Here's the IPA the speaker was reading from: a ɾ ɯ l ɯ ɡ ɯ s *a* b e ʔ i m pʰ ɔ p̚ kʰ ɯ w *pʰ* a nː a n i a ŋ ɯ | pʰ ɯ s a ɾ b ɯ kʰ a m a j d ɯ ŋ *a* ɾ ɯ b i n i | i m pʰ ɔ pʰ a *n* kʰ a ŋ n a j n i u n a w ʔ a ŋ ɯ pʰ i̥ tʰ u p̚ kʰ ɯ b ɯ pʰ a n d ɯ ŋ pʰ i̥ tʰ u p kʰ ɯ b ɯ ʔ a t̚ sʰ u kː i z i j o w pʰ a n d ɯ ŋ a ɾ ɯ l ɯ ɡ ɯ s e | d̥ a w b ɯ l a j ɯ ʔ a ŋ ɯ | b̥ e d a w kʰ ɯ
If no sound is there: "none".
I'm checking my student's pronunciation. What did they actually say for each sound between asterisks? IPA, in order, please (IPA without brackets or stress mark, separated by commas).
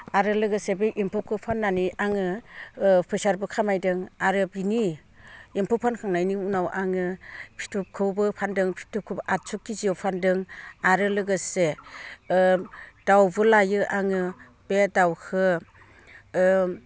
e, pʰ, a, n